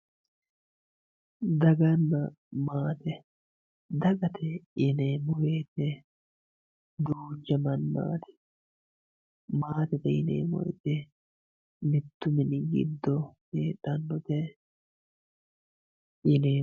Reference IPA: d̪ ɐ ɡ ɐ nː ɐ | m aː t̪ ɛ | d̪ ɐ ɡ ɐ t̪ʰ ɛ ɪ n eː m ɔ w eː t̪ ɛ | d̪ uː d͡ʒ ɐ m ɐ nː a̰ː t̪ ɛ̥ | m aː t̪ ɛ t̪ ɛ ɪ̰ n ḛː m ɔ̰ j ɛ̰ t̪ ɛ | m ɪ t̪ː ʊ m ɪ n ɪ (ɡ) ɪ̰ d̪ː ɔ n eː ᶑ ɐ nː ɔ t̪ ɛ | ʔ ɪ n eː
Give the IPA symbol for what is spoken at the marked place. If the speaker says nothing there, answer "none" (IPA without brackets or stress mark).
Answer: ɡ